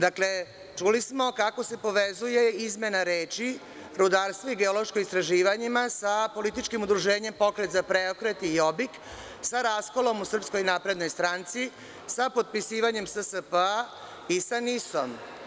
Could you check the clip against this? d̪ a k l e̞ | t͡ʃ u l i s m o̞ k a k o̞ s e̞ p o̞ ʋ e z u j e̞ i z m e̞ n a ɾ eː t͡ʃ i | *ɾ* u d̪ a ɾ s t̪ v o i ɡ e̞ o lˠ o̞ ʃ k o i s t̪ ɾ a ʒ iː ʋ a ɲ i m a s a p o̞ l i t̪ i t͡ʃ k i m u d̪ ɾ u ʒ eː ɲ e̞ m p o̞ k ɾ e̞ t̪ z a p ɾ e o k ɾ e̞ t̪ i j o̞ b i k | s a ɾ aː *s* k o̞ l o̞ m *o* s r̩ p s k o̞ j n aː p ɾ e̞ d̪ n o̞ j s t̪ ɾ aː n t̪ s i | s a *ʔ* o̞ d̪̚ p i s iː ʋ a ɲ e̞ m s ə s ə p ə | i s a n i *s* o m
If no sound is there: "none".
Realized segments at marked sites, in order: ɾ, s, u, p, s

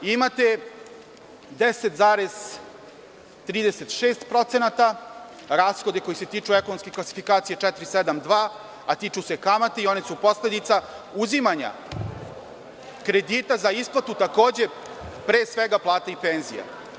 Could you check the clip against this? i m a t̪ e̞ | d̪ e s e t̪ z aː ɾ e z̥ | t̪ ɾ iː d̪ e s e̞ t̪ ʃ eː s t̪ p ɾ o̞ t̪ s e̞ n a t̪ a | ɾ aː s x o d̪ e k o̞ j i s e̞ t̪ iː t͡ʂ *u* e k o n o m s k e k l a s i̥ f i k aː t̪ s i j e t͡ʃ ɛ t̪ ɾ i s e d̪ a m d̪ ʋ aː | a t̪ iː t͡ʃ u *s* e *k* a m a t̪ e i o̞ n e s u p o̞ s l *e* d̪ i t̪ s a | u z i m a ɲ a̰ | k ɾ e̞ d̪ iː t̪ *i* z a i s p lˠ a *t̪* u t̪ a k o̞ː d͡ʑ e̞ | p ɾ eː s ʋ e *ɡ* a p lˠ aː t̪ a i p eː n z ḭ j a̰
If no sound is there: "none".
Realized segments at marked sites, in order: u, s, k, e, a, t̪, ɡ

